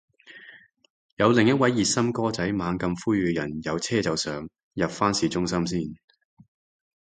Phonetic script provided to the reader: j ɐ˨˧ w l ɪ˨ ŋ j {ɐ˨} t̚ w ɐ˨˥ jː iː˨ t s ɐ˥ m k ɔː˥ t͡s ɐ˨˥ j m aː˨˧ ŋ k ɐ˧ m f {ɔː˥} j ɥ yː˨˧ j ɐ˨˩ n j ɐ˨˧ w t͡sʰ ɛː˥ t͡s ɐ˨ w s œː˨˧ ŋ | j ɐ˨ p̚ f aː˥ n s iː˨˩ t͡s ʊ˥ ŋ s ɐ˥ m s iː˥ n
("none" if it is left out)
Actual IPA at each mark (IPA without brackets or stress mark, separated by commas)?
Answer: ɐ˥, uː˥